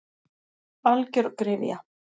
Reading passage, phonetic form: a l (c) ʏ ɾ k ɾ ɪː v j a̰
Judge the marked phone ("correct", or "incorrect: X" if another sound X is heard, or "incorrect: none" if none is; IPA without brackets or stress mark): correct